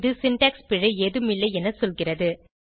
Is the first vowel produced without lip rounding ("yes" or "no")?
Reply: yes